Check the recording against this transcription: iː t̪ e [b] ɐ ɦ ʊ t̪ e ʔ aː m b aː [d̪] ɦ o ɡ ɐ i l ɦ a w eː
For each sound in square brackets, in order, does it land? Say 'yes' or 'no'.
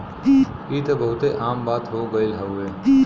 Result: yes, no

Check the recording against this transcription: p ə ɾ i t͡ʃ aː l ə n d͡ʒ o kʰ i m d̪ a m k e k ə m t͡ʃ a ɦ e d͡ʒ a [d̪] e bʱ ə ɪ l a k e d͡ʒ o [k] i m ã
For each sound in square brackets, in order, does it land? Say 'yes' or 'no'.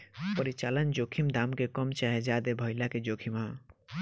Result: yes, no

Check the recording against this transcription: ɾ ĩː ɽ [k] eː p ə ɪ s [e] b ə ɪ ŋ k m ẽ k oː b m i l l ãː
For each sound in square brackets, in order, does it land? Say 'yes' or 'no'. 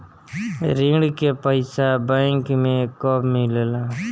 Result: yes, no

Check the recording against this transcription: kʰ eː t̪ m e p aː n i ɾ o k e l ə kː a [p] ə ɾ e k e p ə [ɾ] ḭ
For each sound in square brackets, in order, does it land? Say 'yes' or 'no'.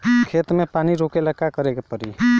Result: no, yes

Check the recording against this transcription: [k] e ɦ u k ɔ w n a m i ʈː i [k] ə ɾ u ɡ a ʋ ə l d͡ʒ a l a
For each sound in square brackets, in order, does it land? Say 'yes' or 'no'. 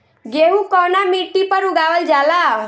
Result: no, no

